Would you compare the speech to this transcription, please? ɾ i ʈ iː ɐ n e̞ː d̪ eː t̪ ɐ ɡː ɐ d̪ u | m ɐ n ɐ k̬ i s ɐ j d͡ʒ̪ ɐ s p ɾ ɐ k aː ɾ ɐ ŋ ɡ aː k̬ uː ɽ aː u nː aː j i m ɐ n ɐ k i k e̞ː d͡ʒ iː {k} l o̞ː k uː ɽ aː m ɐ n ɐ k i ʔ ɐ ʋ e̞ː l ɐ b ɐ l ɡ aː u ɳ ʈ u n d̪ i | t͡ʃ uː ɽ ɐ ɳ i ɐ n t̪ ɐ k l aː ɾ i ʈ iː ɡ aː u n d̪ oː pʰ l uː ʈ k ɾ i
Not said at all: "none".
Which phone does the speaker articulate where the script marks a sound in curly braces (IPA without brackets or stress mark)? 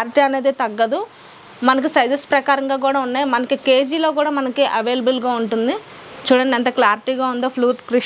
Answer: none